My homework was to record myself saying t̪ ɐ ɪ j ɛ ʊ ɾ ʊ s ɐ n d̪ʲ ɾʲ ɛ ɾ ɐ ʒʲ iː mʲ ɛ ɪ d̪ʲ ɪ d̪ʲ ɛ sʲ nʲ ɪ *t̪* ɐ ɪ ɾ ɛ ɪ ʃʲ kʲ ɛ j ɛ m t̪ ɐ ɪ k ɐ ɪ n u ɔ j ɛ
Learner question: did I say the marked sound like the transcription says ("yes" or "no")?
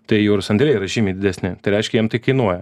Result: yes